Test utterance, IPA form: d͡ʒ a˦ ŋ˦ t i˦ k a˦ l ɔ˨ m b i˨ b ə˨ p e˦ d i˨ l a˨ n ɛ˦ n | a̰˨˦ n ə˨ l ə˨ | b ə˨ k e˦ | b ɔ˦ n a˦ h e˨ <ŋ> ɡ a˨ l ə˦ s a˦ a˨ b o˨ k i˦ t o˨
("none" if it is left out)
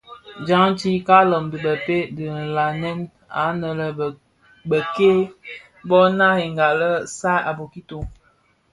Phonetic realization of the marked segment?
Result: ŋ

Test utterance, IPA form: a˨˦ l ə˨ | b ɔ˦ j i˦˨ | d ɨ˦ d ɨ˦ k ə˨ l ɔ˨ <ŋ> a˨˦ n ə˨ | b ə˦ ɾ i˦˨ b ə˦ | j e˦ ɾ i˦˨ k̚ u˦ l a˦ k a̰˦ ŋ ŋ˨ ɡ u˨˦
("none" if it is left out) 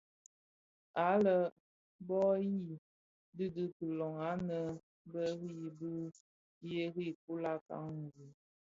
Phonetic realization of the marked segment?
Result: ŋ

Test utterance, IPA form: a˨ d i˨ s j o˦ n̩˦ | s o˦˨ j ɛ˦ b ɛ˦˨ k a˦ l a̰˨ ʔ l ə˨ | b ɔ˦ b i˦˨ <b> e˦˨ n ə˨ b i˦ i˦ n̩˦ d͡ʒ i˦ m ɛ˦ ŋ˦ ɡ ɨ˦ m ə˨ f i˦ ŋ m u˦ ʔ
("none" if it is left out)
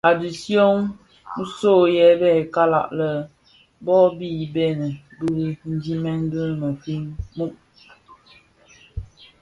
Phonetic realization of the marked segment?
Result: b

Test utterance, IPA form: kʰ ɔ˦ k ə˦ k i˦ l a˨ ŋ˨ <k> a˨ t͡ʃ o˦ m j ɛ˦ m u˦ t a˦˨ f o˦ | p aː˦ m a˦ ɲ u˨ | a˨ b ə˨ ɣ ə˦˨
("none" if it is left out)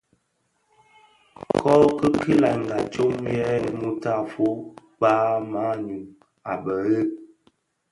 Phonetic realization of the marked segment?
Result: ɡ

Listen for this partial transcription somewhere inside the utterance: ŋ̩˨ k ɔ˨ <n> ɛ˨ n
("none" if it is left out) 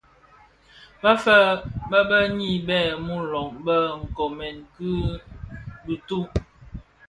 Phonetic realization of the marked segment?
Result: m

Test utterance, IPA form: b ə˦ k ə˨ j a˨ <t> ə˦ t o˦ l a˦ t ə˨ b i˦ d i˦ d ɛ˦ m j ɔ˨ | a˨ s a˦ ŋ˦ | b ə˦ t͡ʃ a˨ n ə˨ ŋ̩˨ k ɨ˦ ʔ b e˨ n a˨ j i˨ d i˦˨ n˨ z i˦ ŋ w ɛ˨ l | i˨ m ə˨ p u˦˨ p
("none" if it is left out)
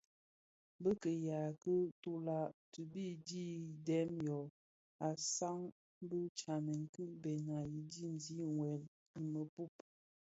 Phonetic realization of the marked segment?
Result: k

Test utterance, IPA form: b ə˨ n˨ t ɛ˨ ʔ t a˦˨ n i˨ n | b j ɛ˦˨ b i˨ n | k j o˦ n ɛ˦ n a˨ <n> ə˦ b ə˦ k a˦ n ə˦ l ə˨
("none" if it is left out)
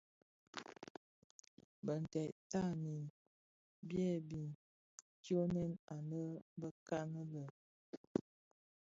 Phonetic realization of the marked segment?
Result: n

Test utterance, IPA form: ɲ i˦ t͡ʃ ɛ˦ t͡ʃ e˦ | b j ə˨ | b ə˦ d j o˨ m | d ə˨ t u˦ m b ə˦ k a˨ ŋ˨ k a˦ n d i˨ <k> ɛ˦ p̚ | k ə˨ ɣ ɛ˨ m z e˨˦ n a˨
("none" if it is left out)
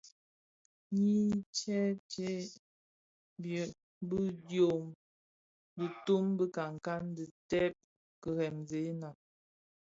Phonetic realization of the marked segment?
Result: t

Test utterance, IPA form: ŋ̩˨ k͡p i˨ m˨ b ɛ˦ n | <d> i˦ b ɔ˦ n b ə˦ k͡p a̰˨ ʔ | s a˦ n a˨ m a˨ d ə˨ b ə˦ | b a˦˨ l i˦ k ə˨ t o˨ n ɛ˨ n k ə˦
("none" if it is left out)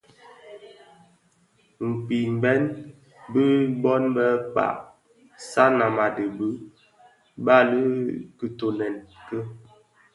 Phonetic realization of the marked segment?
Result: b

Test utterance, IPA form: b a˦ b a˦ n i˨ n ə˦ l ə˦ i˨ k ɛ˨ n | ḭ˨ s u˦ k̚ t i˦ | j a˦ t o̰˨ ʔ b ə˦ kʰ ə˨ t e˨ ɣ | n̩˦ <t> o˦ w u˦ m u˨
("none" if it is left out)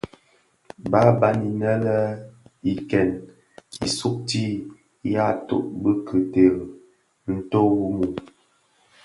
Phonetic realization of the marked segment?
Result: t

